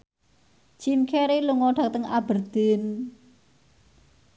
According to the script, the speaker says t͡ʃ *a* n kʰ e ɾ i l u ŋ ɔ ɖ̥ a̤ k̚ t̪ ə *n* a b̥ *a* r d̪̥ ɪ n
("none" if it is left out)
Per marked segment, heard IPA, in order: i, ŋ, ə

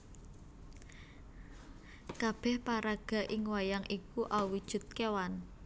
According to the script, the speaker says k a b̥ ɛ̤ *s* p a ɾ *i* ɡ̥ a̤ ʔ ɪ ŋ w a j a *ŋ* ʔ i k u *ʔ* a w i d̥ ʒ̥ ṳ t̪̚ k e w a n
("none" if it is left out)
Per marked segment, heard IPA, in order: h, a, ŋ, ʔ

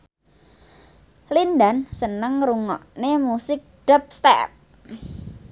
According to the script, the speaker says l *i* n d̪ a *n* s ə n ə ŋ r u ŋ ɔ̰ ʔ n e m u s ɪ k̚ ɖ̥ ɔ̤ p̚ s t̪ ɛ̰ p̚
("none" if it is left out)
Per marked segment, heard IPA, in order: i, n

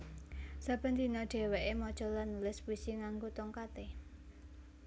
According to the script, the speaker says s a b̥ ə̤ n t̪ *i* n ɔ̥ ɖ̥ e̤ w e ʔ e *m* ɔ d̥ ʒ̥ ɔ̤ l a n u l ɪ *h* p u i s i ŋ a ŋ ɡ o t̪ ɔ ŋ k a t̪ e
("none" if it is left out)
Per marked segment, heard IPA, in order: i, m, s

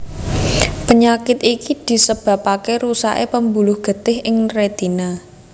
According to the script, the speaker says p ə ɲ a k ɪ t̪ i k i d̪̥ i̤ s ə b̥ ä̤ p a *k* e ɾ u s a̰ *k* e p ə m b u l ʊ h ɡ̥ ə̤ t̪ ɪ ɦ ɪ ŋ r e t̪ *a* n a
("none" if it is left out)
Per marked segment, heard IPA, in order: k, ʔ, i

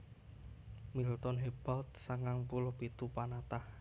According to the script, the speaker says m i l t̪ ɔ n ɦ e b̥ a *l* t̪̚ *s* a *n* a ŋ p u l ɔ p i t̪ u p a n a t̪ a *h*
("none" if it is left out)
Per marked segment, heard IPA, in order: l, s, ŋ, h

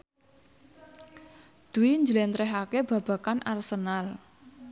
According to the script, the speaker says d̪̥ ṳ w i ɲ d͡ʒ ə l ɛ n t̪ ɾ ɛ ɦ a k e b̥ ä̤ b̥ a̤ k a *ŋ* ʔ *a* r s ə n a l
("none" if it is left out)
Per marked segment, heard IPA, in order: n, a

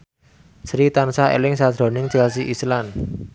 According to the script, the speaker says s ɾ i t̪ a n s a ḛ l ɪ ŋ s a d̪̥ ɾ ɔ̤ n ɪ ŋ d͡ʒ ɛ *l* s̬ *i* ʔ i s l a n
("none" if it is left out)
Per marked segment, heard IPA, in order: l, i

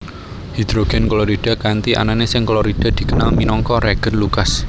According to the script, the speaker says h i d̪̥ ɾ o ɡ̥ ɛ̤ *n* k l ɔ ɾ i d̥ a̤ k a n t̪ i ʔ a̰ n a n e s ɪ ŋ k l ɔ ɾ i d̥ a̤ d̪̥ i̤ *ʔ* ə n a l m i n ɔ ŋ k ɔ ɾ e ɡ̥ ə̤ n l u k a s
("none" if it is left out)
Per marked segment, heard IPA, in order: n, k

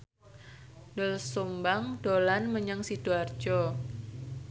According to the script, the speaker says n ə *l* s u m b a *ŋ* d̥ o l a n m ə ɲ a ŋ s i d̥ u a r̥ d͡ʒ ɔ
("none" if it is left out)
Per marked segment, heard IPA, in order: l, ŋ

